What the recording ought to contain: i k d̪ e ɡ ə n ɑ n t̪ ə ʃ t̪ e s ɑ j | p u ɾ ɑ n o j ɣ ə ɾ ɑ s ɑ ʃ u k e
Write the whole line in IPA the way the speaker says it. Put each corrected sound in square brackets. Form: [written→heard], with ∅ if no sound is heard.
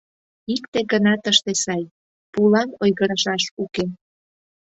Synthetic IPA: i k [d̪→t̪] e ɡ ə n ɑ [n→∅] t̪ ə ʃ t̪ e s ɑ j | p u [ɾ→l] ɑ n o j ɣ ə ɾ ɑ [s→ʃ] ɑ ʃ u k e

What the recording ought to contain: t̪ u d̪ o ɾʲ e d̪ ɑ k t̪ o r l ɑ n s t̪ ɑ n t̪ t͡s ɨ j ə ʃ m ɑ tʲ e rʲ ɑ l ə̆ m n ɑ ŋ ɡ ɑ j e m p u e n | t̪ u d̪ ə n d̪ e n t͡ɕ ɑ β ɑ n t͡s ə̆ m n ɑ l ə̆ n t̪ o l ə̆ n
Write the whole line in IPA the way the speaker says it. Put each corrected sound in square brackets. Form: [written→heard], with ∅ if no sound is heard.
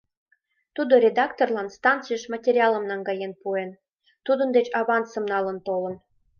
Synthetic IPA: t̪ u d̪ o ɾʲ e d̪ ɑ k t̪ o r l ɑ n s t̪ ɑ n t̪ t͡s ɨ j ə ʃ m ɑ tʲ e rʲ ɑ l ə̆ m n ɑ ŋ ɡ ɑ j e [m→n] p u e n | t̪ u d̪ ə n d̪ e [n→∅] t͡ɕ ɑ β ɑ n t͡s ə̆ m n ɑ l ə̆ n t̪ o l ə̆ n

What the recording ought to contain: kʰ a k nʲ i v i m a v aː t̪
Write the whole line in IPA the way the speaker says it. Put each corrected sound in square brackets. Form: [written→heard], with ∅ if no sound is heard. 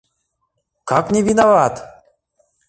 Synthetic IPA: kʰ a k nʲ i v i [m→n] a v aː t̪

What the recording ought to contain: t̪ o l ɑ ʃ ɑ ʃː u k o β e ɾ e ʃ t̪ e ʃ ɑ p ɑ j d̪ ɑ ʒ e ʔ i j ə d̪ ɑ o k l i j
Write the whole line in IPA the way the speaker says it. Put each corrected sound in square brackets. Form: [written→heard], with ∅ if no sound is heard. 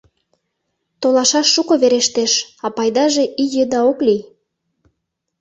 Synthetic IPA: t̪ o l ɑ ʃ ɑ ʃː u k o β e ɾ e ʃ t̪ e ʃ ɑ p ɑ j d̪ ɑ ʒ e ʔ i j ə d̪ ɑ o k l i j

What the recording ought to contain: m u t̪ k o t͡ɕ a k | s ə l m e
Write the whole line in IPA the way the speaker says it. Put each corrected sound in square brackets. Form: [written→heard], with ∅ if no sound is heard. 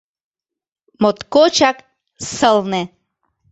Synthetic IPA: m [u→o] t̪ k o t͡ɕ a k | s ə l [m→n] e

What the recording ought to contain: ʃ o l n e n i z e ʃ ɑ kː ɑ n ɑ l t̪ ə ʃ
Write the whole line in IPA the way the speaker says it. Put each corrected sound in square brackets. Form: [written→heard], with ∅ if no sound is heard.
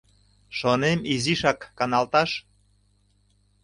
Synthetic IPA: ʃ o [l→∅] n e [n→m] i z [e→i] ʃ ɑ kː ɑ n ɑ l t̪ [ə→ɑ] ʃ

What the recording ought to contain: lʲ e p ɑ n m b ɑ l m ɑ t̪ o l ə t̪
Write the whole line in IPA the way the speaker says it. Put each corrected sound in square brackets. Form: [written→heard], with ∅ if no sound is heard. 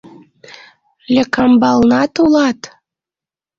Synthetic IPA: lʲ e [p→k] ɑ [n→∅] m b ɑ l [m→n] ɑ t̪ [o→u] l [ə→ɑ] t̪

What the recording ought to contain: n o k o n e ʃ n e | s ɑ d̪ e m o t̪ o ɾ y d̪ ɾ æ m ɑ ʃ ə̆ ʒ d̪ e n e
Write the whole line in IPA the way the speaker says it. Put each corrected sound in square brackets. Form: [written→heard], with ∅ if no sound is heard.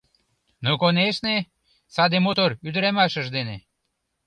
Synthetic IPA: n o k o n e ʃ n e | s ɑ d̪ e m o t̪ o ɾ y d̪ ɾ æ m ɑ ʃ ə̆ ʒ d̪ e n e

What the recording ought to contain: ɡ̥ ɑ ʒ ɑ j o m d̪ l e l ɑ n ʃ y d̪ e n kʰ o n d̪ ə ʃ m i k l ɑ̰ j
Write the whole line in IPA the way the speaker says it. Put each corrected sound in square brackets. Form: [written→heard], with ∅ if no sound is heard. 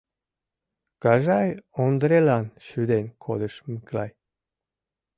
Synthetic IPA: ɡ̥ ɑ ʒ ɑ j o [m→n] d̪ [l→ɾ] e l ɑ n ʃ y d̪ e n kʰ o [n→∅] d̪ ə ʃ m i k l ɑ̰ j

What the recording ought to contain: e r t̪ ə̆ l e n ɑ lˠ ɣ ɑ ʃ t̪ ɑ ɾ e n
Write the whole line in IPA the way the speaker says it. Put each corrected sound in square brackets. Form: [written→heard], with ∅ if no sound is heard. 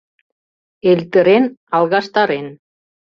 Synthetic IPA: e [r→l] t̪ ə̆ [l→ɾ] e n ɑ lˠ ɣ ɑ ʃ t̪ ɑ ɾ e n

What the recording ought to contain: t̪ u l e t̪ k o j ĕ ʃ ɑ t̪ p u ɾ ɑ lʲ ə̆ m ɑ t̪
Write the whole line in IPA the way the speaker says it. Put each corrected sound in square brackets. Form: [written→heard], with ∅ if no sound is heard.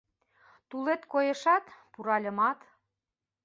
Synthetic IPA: t̪ u l e t̪ k o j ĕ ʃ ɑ t̪ p u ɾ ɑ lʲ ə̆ m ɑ t̪

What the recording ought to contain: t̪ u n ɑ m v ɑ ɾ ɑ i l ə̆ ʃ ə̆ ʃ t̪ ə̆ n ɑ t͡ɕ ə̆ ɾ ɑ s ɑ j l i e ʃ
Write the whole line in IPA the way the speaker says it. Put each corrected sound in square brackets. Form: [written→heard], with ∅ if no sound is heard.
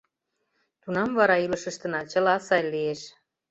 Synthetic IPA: t̪ u n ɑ m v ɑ ɾ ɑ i l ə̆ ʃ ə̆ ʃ t̪ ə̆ n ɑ t͡ɕ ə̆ [ɾ→l] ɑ s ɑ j l i e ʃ

